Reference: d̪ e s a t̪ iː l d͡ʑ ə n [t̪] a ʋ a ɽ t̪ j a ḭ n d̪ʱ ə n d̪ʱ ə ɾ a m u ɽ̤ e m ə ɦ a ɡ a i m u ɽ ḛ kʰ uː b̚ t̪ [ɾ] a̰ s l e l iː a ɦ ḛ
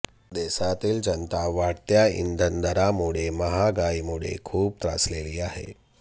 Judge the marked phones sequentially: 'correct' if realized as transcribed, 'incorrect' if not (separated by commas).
correct, correct